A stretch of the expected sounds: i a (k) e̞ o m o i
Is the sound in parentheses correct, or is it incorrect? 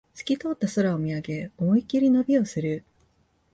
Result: incorrect